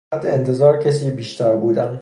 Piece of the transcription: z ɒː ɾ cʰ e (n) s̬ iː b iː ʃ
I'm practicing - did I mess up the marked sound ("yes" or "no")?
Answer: yes